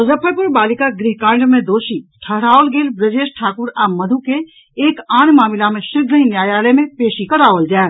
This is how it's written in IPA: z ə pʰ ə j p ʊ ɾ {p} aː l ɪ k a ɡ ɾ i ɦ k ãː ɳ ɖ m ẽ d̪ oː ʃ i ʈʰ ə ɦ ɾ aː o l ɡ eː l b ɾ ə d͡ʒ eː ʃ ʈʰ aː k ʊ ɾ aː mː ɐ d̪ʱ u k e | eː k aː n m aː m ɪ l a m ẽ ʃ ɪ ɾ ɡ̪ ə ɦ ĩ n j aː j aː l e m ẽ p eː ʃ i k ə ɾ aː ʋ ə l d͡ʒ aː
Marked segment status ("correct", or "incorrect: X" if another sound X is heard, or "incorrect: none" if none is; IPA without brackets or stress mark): incorrect: b